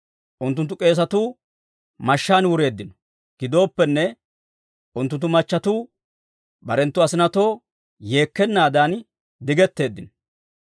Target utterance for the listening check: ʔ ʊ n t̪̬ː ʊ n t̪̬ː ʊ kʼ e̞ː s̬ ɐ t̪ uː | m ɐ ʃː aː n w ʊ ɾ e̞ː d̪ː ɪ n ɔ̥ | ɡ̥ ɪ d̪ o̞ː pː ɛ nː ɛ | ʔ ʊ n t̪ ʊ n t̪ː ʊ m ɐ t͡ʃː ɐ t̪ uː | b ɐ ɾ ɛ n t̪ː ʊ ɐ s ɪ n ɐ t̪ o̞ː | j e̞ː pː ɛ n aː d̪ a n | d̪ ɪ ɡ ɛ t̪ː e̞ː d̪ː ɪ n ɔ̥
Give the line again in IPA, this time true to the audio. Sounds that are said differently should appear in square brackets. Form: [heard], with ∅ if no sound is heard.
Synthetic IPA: ʔ ʊ n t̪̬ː ʊ n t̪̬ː ʊ kʼ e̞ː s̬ ɐ t̪ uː | m ɐ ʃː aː n w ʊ ɾ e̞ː d̪ː ɪ n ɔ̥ | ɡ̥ ɪ d̪ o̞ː pː ɛ nː ɛ | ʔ ʊ n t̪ ʊ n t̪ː ʊ m ɐ t͡ʃː ɐ t̪ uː | b ɐ ɾ ɛ n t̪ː ʊ ɐ s ɪ n ɐ t̪ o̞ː | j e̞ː [kː] ɛ [nː] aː d̪ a n | d̪ ɪ ɡ ɛ t̪ː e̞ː d̪ː ɪ n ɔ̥